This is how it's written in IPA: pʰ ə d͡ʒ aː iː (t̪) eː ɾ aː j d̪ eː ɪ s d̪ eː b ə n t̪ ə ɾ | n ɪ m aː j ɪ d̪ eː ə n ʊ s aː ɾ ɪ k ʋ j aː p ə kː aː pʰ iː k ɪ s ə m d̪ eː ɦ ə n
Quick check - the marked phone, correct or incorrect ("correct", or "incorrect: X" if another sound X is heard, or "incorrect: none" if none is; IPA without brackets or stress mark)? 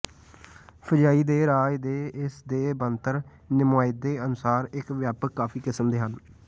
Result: incorrect: d̪